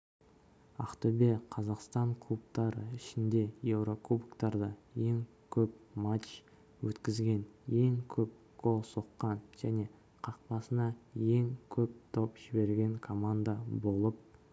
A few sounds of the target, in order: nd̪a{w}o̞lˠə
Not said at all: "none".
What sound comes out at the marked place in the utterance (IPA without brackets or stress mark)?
b